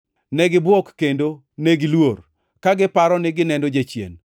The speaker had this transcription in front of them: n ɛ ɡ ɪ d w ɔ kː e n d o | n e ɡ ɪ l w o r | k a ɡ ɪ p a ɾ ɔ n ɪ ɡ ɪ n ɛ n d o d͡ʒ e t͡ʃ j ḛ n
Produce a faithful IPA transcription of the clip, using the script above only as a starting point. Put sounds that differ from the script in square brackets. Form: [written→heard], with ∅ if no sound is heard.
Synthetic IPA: n ɛ ɡ ɪ [d→b] w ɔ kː e n d o | n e ɡ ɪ l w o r | k a ɡ ɪ p a ɾ ɔ n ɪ ɡ ɪ n ɛ n d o d͡ʒ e t͡ʃ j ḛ n